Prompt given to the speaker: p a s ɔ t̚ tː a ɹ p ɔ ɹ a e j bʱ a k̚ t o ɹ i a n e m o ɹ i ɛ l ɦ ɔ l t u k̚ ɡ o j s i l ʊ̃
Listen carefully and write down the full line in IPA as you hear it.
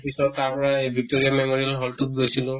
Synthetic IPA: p i s ɔ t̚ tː a ɹ p ɔ ɹ a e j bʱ i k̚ t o ɹ i a m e m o ɹ i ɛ l ɦ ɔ l t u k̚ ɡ o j s i l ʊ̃